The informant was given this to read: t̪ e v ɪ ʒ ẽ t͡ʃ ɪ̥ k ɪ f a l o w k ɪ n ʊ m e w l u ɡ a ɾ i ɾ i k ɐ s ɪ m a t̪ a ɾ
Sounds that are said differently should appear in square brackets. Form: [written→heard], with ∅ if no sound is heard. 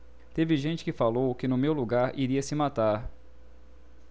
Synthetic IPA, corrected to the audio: t̪ e v ɪ ʒ ẽ t͡ʃ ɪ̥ k ɪ f a l o w k ɪ n ʊ m e w l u ɡ a ɾ i ɾ i [k→∅] ɐ s ɪ m a t̪ a ɾ